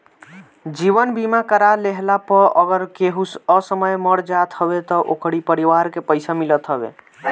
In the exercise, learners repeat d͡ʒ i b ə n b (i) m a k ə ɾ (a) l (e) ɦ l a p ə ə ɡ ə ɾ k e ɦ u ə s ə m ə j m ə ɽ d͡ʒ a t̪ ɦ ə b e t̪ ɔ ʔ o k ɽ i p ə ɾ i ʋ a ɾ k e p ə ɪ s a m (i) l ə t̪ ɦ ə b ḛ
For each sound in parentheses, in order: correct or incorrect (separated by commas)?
correct, correct, correct, correct